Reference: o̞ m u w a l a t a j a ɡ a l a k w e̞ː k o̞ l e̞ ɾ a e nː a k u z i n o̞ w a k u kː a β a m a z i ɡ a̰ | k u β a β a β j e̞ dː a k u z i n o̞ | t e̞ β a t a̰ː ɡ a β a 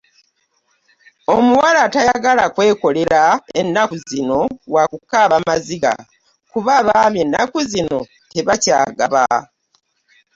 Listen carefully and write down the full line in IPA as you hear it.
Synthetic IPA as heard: o̞ m u w a l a t a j a ɡ a l a k w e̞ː k o̞ l e̞ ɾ a e nː a k u z i n o̞ w a k u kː a β a m a z i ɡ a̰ | k u β a β a β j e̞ nː a k u z i n o̞ | t e̞ β a c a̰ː ɡ a β a